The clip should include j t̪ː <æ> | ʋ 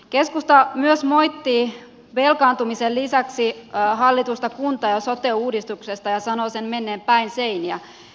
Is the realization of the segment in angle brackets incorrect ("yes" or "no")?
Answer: yes